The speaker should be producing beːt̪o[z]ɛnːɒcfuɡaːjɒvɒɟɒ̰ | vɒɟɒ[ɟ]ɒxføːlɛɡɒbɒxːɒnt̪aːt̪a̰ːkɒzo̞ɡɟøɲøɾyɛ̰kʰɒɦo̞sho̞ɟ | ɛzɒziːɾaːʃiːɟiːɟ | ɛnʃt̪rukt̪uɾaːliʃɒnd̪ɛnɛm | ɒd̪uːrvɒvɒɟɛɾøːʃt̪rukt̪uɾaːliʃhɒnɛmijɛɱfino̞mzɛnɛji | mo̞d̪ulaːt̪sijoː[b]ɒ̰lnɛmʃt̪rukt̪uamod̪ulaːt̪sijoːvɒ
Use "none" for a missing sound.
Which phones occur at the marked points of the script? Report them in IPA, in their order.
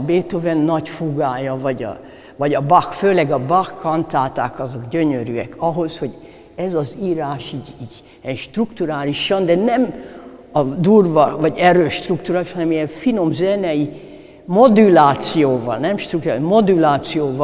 v, b, v

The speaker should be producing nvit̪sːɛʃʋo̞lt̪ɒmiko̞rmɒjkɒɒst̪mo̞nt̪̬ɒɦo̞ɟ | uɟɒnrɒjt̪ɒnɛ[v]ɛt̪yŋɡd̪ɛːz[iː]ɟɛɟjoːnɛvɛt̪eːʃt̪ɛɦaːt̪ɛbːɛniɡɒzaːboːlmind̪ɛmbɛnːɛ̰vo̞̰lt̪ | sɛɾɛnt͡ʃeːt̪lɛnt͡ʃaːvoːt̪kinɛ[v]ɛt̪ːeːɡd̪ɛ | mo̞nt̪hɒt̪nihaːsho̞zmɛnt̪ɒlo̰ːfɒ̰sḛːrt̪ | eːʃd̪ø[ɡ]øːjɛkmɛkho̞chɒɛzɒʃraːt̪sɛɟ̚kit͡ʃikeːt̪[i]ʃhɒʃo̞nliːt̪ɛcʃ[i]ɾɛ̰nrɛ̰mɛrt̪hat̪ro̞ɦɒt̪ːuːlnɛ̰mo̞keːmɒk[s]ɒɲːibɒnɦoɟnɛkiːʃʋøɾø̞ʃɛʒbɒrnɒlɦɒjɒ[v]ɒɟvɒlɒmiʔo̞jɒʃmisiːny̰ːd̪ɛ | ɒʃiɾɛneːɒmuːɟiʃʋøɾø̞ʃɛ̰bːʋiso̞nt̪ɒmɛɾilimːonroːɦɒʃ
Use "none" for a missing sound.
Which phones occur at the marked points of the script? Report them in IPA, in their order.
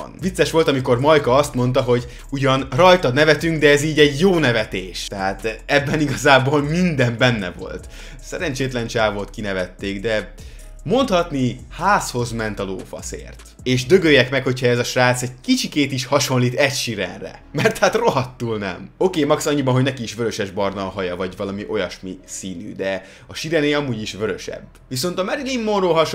v, iː, v, ɡ, i, i, s, v

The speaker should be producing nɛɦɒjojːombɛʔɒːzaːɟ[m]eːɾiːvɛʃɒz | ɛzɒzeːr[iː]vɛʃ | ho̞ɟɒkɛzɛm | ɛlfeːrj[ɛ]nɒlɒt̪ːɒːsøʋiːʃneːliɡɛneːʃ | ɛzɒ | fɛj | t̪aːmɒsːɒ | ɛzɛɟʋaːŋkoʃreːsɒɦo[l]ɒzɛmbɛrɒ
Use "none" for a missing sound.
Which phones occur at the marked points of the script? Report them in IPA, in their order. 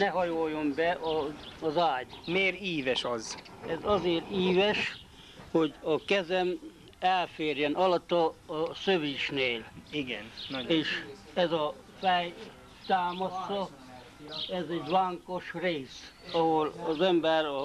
m, iː, ɛ, l

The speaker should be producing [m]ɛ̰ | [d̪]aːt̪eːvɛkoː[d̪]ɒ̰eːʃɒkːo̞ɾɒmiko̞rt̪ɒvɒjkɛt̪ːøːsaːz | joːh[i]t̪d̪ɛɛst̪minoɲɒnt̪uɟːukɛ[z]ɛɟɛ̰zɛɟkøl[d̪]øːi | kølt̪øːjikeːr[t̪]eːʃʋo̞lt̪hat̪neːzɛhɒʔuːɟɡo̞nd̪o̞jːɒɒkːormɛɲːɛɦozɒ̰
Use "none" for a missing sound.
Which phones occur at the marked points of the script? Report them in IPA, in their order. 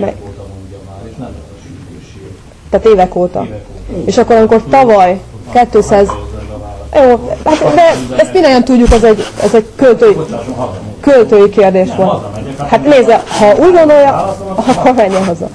m, t̪, t̪, a, z, t̪, d̪

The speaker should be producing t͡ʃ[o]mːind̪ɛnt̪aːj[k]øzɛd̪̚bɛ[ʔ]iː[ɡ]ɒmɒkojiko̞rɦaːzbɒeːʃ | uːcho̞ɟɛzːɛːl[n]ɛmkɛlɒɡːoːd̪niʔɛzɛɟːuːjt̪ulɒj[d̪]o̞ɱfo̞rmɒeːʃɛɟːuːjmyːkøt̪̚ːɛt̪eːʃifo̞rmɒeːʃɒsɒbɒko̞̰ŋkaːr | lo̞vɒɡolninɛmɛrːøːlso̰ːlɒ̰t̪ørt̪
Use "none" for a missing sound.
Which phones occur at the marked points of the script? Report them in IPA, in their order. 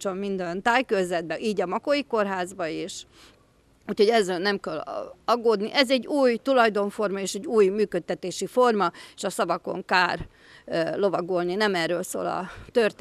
o, k, ʔ, ɟ, n, d̪

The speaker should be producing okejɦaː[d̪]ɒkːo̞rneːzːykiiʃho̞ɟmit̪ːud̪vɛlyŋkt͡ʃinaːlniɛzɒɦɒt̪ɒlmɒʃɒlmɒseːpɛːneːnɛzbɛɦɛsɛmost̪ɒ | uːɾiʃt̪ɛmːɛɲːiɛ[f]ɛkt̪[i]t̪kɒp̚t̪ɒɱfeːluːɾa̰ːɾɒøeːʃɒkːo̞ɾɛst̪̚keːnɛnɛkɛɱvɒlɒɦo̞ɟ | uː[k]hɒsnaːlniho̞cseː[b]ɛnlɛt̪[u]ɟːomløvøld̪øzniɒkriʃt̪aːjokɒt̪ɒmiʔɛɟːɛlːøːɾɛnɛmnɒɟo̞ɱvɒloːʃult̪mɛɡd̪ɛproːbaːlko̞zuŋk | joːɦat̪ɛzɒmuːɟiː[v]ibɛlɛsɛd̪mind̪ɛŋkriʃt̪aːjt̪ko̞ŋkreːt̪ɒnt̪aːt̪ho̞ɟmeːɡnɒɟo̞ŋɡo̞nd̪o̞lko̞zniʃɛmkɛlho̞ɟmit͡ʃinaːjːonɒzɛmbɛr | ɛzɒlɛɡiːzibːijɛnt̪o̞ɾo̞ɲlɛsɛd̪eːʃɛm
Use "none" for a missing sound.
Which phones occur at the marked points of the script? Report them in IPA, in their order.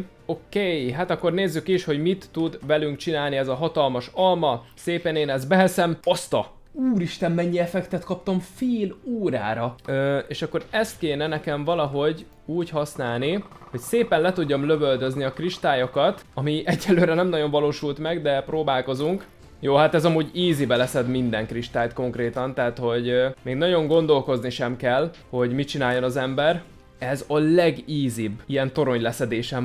t̪, f, ɛ, c, p, u, z

